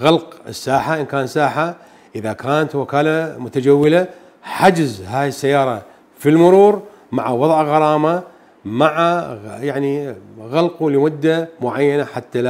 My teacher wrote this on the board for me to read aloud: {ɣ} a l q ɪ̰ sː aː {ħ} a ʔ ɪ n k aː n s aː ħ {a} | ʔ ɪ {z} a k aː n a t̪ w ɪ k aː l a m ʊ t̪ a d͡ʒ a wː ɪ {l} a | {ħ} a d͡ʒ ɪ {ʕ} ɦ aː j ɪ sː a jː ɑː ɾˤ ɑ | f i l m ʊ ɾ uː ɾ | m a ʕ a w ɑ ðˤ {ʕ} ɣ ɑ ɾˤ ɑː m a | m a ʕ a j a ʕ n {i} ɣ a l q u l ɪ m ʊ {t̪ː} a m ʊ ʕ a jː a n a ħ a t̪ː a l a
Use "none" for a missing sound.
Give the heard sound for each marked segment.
ɣ, ħ, a, ð, l, ħ, z, ʕ, i, d̪ː

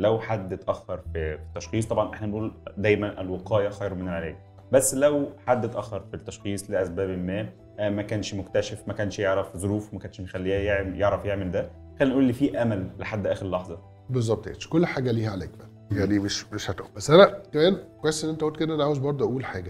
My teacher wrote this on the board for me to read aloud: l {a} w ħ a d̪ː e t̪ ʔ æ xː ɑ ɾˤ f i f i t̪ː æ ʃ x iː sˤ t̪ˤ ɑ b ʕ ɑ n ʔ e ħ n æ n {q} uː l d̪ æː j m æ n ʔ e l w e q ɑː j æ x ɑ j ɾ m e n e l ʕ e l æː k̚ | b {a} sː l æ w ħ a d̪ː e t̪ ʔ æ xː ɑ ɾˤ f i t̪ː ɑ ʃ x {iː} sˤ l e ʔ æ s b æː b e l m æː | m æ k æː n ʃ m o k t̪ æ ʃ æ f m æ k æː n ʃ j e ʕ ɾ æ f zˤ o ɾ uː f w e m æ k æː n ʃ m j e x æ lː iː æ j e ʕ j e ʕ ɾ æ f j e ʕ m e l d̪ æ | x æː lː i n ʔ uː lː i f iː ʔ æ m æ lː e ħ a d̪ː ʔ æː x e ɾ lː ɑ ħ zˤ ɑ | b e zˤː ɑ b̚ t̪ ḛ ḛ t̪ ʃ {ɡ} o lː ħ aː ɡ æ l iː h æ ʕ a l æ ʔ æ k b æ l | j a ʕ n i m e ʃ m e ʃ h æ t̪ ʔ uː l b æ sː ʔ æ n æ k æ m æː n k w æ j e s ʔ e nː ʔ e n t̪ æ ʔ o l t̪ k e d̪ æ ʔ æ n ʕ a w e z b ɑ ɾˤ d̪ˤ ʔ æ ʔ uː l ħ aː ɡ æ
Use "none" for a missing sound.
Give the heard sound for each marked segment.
æ, ʔ, æ, iː, k

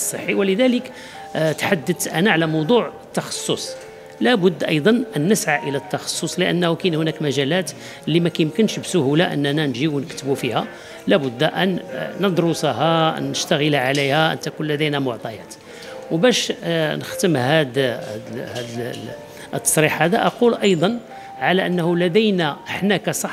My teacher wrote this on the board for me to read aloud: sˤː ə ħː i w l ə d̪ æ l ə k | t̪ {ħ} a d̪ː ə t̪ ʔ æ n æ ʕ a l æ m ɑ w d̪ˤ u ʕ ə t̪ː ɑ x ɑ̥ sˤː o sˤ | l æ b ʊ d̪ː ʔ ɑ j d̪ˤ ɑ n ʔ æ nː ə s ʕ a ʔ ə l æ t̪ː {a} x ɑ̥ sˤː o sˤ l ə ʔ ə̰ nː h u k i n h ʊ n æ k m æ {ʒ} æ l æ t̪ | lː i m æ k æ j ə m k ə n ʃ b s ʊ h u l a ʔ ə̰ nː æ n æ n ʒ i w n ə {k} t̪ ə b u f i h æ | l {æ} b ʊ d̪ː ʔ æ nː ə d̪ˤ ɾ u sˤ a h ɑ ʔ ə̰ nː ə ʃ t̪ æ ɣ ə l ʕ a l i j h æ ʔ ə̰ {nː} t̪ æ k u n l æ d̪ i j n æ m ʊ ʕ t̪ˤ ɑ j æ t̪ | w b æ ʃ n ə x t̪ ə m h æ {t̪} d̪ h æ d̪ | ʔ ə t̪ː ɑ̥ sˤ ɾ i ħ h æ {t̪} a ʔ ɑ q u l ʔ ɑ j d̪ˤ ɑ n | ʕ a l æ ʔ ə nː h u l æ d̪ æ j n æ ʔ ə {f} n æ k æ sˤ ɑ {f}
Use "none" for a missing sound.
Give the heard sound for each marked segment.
ħ, ɑ, ʒ, k, æ, n, d̪, d̪, ħ, ħ

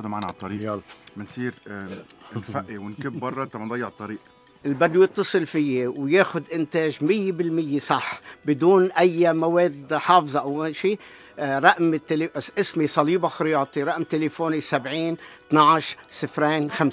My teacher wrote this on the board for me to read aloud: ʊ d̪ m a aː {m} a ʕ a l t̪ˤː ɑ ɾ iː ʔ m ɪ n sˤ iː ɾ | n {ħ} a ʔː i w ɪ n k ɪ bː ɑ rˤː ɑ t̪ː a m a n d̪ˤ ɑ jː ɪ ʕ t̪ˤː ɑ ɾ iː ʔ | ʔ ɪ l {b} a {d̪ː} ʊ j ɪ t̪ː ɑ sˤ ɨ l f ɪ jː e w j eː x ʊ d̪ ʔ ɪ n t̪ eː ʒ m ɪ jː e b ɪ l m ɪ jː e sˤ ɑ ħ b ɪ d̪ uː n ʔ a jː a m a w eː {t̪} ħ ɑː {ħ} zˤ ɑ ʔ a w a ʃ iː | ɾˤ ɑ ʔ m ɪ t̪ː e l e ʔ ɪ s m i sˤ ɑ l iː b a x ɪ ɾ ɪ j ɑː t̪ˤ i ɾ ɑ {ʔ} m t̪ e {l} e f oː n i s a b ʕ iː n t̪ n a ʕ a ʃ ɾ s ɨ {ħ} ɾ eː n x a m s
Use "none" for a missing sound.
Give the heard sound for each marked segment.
n, f, b, d̪ː, d̪, f, ʔ, l, f

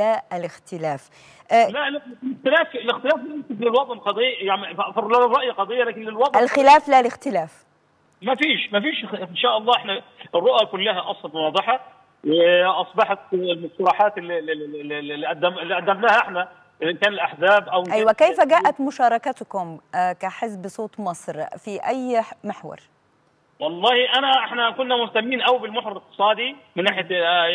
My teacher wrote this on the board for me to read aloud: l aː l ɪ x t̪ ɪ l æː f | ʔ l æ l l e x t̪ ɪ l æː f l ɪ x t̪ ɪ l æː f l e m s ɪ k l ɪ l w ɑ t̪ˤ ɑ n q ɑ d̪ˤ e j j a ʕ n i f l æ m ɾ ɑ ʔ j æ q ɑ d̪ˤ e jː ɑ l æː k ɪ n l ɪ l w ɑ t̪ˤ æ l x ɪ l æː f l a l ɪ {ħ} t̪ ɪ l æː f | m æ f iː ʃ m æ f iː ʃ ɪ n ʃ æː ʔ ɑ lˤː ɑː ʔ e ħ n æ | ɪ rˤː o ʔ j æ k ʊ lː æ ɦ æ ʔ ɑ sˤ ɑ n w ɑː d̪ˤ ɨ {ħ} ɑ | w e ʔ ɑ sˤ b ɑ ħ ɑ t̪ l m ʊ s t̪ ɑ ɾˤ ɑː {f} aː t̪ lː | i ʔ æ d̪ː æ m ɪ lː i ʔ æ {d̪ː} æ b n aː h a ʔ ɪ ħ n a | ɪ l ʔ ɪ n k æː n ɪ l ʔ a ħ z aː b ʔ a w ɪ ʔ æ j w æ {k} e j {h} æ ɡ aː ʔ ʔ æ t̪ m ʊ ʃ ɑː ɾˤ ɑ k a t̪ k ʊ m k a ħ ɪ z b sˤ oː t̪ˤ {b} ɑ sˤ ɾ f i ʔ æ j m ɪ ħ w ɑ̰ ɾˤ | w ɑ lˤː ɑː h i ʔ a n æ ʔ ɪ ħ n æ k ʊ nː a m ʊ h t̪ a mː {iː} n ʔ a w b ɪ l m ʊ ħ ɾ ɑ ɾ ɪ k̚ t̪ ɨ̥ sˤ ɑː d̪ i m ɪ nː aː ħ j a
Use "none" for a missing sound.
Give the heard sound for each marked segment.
x, ħ, ħ, d̪ː, k, f, m, iː

